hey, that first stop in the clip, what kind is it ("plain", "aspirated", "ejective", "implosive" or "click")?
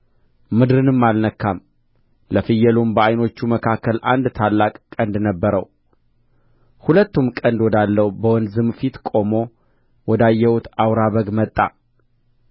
plain